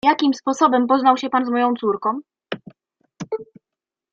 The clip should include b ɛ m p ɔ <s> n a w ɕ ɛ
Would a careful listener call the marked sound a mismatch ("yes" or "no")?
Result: yes